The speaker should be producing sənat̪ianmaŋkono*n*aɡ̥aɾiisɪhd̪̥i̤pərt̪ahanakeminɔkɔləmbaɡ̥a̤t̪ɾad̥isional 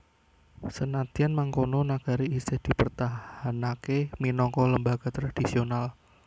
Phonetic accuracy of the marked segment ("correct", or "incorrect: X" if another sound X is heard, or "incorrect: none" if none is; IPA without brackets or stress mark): correct